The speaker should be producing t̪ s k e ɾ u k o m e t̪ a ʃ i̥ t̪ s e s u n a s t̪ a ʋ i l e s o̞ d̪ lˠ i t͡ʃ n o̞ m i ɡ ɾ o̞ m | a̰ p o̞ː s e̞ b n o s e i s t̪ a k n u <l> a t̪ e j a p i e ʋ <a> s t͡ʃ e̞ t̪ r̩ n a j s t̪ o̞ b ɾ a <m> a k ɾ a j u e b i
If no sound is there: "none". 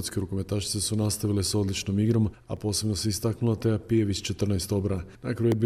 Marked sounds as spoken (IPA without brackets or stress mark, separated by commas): l, i, n